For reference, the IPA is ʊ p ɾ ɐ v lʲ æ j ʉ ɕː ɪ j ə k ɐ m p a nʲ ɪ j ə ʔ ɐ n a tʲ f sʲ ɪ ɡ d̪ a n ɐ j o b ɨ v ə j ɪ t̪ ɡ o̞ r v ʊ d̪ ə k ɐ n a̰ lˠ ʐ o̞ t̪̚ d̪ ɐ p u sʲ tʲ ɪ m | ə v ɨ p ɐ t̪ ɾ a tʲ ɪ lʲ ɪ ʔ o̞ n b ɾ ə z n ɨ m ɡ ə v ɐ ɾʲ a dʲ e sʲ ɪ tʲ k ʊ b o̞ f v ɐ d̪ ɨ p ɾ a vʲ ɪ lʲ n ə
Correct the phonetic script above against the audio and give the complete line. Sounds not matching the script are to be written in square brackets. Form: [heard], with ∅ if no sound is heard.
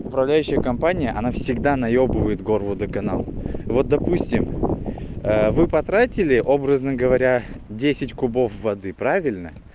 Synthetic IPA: ʊ p ɾ ɐ v lʲ æ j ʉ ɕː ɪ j ə k ɐ m p a nʲ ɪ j ə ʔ ɐ n a [∅] f sʲ ɪ ɡ d̪ a n ɐ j o b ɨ v ə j ɪ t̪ ɡ o̞ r v ʊ d̪ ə k ɐ n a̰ lˠ [v] o̞ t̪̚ d̪ ɐ p u sʲ tʲ ɪ m | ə v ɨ p ɐ t̪ ɾ a tʲ ɪ lʲ ɪ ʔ o̞ [∅] b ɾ ə z n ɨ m ɡ ə v ɐ ɾʲ a dʲ e sʲ ɪ tʲ k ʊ b o̞ f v ɐ d̪ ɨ p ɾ a vʲ ɪ lʲ n ə